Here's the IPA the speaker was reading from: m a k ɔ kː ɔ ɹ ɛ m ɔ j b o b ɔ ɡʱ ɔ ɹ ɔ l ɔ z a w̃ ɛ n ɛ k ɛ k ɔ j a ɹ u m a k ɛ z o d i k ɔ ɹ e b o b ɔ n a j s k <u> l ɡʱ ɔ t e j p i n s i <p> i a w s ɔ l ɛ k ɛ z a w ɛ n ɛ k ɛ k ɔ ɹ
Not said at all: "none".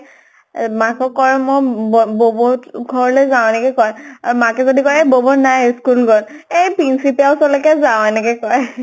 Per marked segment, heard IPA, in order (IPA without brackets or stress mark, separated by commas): u, p